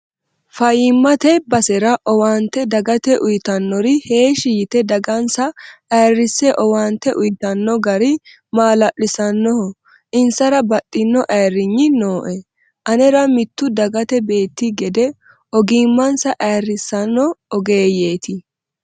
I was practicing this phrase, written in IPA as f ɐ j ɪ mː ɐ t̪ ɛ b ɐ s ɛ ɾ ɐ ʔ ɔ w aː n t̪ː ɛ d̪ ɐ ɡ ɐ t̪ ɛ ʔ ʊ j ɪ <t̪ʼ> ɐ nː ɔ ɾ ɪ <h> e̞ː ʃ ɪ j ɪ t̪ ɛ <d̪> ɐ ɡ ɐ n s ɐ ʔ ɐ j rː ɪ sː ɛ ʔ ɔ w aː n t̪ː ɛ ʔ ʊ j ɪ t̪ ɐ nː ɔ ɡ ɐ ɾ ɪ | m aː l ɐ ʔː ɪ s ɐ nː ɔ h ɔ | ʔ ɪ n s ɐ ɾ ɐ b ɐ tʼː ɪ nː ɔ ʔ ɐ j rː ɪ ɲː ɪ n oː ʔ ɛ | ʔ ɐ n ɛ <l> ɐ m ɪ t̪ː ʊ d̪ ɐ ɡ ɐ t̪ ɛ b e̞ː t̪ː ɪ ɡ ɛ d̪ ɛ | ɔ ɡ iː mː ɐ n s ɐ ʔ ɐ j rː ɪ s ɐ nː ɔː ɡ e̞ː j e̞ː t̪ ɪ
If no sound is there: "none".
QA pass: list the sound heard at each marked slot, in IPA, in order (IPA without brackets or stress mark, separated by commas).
t̪, h, d̪, ɾ